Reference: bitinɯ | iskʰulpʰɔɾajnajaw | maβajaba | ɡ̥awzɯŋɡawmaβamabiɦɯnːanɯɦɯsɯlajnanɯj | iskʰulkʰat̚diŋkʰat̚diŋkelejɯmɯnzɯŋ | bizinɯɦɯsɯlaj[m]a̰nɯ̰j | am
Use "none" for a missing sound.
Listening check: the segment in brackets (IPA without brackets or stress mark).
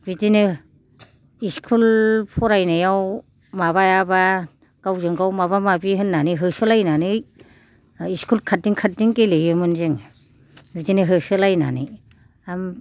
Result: n